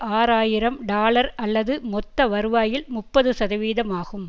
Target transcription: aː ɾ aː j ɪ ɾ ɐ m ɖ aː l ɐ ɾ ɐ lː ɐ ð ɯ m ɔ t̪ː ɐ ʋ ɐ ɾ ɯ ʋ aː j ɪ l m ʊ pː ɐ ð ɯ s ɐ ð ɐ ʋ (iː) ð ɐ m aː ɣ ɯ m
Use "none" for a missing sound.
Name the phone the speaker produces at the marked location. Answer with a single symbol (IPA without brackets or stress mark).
iː